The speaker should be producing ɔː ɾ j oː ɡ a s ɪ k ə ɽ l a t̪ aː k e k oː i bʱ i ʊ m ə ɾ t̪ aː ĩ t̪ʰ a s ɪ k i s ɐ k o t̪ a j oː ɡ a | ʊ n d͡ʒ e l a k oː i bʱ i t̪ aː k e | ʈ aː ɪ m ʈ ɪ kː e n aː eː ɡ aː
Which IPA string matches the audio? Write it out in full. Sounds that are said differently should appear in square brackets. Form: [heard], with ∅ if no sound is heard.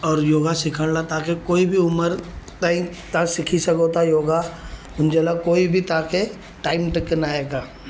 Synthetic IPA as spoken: ɔː ɾ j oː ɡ a s ɪ [kʰ] ə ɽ l a t̪ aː k e k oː i bʱ i ʊ m ə ɾ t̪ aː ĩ [t̪] a s ɪ [kʰ] i s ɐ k o t̪ a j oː ɡ a | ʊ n d͡ʒ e l a k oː i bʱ i t̪ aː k e | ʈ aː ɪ m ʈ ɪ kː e n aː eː ɡ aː